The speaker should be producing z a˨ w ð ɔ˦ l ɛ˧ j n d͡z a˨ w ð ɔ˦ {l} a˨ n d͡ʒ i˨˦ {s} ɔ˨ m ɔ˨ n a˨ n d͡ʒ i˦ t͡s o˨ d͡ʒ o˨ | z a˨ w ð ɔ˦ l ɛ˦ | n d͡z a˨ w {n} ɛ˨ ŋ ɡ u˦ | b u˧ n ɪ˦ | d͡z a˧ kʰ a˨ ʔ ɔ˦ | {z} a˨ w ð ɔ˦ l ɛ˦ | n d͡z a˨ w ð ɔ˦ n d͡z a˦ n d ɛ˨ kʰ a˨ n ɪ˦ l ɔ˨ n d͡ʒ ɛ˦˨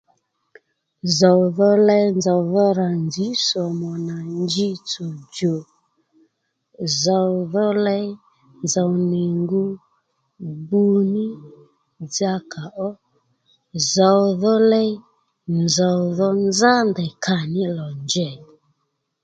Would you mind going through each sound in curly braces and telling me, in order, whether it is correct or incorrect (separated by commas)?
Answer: incorrect, correct, correct, correct